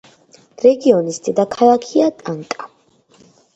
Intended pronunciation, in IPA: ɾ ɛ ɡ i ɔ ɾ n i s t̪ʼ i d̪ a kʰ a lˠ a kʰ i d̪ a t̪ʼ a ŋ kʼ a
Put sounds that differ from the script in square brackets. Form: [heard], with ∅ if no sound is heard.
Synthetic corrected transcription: ɾ ɛ ɡ i ɔ [∅] n i s t̪ʼ i d̪ a kʰ a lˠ a kʰ i [∅] a t̪ʼ a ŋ kʼ a